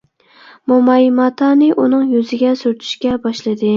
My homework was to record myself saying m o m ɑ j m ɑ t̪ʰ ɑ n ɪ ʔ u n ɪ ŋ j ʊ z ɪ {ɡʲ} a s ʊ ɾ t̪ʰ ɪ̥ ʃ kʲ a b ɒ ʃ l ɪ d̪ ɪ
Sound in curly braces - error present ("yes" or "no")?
no